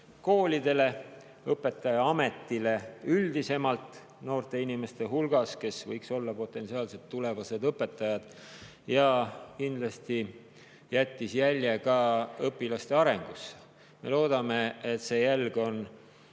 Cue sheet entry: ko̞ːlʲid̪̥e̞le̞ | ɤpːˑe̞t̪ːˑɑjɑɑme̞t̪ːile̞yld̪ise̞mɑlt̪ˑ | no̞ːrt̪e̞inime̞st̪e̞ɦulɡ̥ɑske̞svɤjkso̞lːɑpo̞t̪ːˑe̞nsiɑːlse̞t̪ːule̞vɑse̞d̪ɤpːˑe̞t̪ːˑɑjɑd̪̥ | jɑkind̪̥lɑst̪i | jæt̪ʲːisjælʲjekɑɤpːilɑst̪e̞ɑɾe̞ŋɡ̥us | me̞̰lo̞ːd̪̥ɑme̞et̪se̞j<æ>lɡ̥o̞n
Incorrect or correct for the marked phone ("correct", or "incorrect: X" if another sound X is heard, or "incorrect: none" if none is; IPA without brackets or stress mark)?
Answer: correct